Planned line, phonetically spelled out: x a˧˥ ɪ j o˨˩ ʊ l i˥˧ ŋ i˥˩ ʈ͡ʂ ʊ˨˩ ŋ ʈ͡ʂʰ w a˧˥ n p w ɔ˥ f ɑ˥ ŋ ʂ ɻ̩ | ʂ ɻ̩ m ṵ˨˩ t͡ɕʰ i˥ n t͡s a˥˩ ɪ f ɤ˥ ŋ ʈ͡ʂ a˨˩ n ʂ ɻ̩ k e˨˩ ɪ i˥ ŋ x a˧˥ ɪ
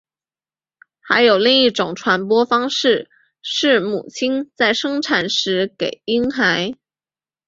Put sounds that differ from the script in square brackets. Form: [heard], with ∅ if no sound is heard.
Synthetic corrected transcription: x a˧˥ ɪ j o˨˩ ʊ l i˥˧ ŋ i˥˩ ʈ͡ʂ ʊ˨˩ ŋ ʈ͡ʂʰ w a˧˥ n p w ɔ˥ f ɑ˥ ŋ ʂ ɻ̩ | ʂ ɻ̩ m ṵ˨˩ t͡ɕʰ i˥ n t͡s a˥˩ ɪ [ʂ] ɤ˥ ŋ [ʈ͡ʂʰ] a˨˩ n ʂ ɻ̩ k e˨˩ ɪ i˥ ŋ x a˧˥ ɪ